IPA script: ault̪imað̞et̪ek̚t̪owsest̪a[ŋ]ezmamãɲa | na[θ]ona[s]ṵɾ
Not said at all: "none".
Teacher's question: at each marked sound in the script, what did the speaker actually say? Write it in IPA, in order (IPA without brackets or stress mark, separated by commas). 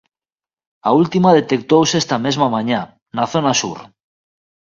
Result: m, θ, s